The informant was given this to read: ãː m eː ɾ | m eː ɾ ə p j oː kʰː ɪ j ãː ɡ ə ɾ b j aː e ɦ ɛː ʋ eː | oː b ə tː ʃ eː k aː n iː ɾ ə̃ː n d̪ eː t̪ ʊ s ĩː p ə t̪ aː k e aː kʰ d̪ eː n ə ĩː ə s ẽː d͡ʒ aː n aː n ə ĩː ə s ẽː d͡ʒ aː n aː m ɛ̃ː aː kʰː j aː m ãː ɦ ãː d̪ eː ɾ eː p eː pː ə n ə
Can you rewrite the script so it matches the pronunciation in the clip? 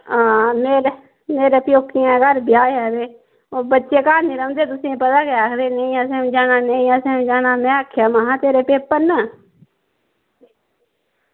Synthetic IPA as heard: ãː m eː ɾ | m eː ɾ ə p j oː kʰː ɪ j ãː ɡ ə ɾ b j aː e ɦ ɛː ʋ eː | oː b ə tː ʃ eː k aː n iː ɾ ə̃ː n d̪ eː t̪ ʊ s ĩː p ə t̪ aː k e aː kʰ d̪ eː n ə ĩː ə s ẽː d͡ʒ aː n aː n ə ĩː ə s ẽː d͡ʒ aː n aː m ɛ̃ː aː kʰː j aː m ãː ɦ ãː t̪ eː ɾ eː p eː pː ə n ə